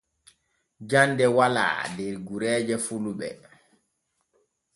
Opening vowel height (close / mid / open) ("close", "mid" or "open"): open